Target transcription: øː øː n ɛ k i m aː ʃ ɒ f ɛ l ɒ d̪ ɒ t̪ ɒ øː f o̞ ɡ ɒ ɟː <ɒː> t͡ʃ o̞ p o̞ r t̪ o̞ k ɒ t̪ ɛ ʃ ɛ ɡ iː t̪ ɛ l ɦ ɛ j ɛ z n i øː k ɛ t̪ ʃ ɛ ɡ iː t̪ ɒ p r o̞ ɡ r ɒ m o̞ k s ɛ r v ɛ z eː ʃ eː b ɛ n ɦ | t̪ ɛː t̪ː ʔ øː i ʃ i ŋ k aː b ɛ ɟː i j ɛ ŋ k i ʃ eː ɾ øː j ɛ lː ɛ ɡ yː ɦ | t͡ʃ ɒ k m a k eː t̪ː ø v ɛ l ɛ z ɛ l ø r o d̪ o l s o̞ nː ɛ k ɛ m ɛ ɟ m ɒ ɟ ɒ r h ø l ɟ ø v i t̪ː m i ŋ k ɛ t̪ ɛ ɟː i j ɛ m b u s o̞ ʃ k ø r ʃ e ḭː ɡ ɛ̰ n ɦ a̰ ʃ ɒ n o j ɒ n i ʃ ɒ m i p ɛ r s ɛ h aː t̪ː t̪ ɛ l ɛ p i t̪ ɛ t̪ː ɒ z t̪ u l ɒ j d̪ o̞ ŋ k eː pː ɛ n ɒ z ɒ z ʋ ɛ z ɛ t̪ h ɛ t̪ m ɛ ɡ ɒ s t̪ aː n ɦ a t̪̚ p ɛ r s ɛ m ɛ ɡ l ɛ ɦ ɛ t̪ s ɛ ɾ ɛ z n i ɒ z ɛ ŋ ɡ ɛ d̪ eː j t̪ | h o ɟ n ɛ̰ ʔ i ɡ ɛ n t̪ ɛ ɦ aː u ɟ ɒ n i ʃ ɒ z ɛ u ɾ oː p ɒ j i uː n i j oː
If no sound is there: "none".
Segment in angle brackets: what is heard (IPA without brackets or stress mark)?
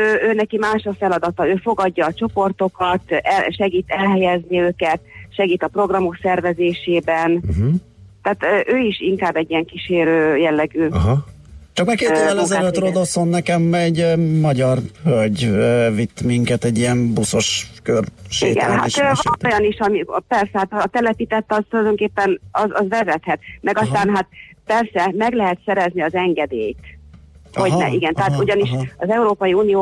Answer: ɒː